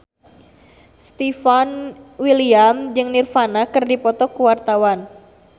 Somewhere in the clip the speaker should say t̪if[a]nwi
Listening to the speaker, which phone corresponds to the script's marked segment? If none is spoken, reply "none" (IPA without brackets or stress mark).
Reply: a